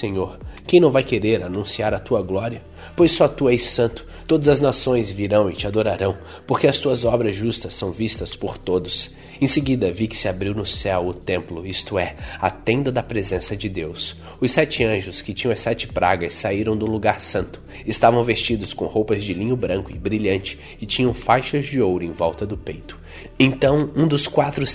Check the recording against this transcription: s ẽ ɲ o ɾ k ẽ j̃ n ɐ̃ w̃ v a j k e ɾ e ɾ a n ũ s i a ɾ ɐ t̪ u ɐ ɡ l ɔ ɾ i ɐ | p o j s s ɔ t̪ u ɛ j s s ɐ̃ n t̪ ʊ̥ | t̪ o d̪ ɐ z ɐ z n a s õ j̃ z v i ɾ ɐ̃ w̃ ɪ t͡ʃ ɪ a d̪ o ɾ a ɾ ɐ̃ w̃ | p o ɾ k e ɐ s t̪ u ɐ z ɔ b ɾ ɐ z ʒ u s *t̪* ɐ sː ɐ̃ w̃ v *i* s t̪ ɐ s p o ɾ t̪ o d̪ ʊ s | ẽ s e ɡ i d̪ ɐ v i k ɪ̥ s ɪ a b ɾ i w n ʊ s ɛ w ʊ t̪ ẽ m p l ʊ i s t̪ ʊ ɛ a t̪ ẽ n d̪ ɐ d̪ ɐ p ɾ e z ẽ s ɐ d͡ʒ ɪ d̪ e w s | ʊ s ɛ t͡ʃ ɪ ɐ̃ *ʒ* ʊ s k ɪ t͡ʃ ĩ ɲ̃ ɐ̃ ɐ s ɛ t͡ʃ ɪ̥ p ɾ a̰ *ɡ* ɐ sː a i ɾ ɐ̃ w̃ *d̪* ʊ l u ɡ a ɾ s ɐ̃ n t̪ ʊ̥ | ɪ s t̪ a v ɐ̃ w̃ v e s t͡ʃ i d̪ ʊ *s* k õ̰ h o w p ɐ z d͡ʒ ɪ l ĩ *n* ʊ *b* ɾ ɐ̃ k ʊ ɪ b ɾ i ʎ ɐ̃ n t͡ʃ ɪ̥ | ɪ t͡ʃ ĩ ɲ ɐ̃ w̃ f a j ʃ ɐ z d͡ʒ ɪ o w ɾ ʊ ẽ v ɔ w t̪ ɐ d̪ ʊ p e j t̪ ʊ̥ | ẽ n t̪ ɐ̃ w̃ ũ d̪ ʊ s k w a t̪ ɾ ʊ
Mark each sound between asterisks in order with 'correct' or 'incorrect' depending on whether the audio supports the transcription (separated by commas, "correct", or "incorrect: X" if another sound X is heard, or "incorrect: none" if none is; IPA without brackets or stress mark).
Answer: correct, correct, correct, correct, correct, correct, incorrect: ɲ, correct